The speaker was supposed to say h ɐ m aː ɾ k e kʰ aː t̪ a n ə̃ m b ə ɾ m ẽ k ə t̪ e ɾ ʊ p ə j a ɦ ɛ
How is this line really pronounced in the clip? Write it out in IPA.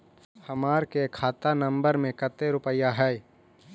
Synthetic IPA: h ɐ m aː ɾ k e kʰ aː t̪ a n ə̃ m b ə ɾ m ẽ k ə t̪ e ɾ ʊ p ə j a ɦ ɛ